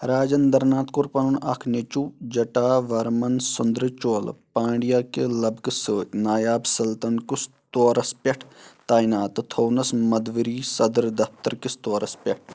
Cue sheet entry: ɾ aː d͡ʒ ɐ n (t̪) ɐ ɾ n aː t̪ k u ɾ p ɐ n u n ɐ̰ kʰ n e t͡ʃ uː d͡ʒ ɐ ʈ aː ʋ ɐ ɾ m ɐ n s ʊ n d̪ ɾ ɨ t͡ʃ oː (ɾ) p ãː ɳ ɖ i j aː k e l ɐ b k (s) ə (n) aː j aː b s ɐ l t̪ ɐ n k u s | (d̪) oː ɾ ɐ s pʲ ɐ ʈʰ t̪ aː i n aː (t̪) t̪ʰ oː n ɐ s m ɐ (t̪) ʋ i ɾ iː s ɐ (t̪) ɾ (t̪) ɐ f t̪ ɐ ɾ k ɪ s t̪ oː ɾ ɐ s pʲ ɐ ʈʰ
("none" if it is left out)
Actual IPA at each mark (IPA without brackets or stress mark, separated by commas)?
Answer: d̪, l, s, n, t̪, t̪, d̪, d̪, d̪